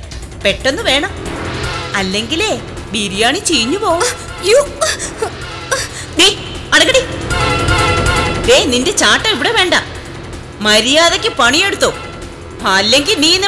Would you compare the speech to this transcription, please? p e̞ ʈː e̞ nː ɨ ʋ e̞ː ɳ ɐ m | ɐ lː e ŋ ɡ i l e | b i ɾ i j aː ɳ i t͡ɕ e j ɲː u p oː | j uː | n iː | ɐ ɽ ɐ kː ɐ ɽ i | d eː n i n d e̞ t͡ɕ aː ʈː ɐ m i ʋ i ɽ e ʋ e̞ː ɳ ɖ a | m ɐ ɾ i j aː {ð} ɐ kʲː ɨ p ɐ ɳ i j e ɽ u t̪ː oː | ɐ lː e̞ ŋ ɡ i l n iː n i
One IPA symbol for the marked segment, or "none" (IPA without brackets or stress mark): ð